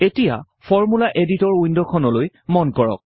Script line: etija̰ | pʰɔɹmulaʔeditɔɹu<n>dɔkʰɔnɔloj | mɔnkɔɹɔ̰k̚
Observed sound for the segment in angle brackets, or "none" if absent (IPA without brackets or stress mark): n